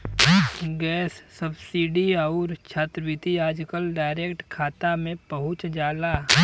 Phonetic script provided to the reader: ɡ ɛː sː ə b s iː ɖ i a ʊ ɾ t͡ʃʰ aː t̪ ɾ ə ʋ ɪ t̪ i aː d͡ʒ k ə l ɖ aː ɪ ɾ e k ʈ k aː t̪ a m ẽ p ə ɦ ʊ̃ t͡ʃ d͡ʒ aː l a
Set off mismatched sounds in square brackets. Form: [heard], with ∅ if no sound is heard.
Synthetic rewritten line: ɡ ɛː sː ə b s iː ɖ i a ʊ ɾ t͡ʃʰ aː t̪ ɾ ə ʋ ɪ t̪ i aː d͡ʒ k ə l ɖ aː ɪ ɾ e k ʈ [kʰ] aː t̪ a m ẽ p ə ɦ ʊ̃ t͡ʃ d͡ʒ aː l a